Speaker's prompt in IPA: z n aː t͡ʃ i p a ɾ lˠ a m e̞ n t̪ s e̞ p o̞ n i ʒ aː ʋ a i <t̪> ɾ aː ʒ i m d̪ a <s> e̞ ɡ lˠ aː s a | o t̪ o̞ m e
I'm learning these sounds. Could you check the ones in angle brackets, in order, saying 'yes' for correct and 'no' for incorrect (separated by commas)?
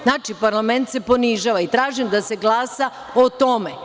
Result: yes, yes